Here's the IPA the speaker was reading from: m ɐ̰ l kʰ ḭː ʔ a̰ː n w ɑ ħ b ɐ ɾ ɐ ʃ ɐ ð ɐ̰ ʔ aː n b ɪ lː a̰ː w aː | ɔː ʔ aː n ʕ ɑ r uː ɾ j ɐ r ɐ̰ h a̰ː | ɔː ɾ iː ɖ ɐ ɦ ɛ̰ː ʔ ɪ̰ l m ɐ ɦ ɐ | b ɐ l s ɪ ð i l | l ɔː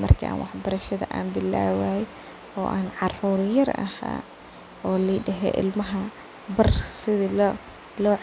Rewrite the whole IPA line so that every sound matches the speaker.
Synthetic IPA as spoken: m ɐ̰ r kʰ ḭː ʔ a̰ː n w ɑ ħ b ɐ ɾ ɐ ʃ ɐ ð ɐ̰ ʔ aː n b ɪ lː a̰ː w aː | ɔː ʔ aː n ʕ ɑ r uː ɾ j ɐ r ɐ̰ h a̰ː | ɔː l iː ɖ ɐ ɦ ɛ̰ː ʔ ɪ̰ l m ɐ ɦ ɐ | b ɐ r s ɪ ð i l | l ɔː

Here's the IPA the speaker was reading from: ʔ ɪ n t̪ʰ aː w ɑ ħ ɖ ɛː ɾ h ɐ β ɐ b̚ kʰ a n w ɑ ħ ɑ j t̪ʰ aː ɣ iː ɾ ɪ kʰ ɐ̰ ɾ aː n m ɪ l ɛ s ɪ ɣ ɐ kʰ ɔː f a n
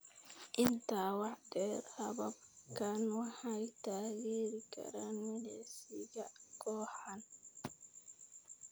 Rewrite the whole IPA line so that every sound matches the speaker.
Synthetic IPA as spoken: ʔ ɪ n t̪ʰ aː w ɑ ħ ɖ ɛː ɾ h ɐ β ɐ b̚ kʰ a n w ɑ ħ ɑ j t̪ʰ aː ɣ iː ɾ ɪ kʰ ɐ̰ ɾ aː n m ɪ l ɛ s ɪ ɣ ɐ kʰ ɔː ħ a n

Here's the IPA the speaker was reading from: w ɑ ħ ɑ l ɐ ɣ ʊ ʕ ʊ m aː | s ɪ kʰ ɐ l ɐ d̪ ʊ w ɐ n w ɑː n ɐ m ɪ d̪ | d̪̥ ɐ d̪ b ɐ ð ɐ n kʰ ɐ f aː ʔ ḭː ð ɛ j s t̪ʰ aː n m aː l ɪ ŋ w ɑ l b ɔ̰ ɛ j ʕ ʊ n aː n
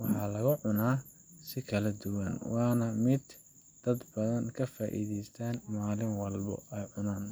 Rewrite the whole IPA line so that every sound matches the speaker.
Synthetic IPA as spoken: w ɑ ħ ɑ l ɐ ɣ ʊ ʕ ʊ n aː | s ɪ kʰ ɐ l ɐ d̪ ʊ w ɐ n w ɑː n ɐ m ɪ d̪ | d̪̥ ɐ d̪ b ɐ ð ɐ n kʰ ɐ f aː ʔ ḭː ð ɛ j s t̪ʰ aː n m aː l ɪ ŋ w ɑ l b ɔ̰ ɛ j ʕ ʊ n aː n

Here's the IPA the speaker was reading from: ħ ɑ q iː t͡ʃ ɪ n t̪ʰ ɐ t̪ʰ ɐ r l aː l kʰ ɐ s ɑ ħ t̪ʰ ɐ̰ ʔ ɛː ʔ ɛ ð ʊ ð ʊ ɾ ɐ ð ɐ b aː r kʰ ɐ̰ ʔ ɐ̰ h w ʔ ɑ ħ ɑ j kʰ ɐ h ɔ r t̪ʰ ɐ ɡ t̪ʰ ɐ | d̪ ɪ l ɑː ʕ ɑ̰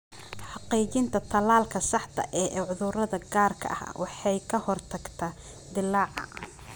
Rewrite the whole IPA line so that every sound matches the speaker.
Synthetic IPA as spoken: ħ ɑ q iː t͡ʃ ɪ n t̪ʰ ɐ t̪ʰ ɐ l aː l kʰ ɐ s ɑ ħ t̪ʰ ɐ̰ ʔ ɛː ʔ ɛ ʕ ʊ ð ʊ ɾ ɐ ð ɐ ɡ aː r kʰ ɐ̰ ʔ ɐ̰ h w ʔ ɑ ħ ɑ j kʰ ɐ h ɔ r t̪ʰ ɐ ɡ t̪ʰ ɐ | d̪ ɪ l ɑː ʕ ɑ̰

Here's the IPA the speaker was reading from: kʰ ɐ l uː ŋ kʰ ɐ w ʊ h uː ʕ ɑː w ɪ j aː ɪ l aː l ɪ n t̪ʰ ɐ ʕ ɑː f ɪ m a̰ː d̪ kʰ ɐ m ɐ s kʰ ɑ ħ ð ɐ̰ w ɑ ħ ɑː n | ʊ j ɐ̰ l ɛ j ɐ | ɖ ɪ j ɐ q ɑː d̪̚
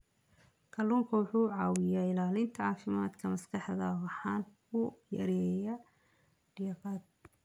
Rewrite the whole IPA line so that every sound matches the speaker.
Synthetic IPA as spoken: kʰ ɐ l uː ŋ kʰ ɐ w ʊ ħ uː ʕ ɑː w ɪ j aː ɪ l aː l ɪ n t̪ʰ ɐ ʕ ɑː f ɪ m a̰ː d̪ kʰ ɐ m ɐ s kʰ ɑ ħ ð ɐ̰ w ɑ ħ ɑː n | ʊ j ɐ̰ ɾ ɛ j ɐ | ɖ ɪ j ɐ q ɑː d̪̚

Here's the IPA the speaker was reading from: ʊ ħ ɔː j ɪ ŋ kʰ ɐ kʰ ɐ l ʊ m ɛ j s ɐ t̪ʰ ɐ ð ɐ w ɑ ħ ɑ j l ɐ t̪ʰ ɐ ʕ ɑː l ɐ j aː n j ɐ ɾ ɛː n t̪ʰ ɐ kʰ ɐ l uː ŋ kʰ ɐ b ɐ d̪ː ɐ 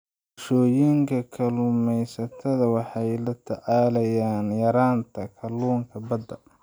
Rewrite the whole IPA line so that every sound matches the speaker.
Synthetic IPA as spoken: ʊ ʃ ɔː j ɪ ŋ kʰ ɐ kʰ ɐ l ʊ m ɛ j s ɐ t̪ʰ ɐ ð ɐ w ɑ ħ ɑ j l ɐ t̪ʰ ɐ ʕ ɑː l ɐ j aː n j ɐ ɾ aː n t̪ʰ ɐ kʰ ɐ l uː ŋ kʰ ɐ b ɐ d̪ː ɐ

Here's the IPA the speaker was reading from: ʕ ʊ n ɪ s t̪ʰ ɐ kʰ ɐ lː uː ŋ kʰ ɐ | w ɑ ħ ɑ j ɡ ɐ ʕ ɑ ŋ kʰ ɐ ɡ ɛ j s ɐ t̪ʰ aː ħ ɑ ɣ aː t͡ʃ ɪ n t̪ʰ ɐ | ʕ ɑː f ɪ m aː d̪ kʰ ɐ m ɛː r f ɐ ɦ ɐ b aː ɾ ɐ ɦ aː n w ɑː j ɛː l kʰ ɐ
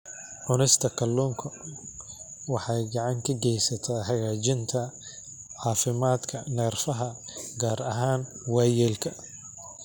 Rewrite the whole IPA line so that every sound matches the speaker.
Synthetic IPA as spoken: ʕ ʊ n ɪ s t̪ʰ ɐ kʰ ɐ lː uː ŋ kʰ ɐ | w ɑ ħ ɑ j ɡ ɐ ʕ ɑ ŋ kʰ ɐ ɡ ɛ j s ɐ t̪ʰ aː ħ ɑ ɣ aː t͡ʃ ɪ n t̪ʰ ɐ | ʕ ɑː f ɪ m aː d̪ kʰ ɐ n ɛː r f ɐ ɦ ɐ ɡ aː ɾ ɐ ɦ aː n w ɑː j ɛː l kʰ ɐ

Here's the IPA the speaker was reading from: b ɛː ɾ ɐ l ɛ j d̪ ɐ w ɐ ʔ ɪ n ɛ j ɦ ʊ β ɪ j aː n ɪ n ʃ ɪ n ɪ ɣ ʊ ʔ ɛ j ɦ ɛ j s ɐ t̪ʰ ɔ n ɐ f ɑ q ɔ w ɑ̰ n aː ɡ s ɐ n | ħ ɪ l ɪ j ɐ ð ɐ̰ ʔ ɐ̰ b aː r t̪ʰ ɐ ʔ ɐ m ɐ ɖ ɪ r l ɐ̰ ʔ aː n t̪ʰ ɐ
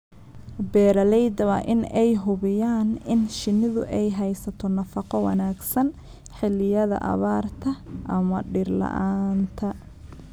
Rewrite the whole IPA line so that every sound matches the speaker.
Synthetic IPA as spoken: b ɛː ɾ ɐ l ɛ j d̪ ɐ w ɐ ʔ ɪ n ɛ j ɦ ʊ β ɪ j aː n ɪ n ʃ ɪ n ɪ ð ʊ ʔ ɛ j ɦ ɛ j s ɐ t̪ʰ ɔ n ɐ f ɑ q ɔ w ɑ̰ n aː ɡ s ɐ n | ħ ɪ l ɪ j ɐ ð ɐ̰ ʔ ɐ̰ β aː r t̪ʰ ɐ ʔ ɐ m ɐ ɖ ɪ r l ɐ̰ ʔ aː n t̪ʰ ɐ

